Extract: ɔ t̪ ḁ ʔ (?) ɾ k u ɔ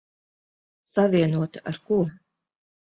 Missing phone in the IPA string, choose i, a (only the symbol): a